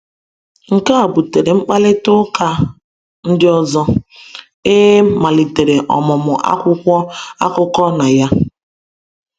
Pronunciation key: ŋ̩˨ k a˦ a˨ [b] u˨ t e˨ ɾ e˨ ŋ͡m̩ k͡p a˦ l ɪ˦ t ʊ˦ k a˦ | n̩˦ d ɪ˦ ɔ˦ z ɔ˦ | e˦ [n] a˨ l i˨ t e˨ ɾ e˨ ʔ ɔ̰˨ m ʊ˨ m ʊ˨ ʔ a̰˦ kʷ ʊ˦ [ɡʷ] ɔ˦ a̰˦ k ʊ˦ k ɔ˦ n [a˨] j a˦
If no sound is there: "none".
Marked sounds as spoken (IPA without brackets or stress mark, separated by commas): b, m, kʷ, a˨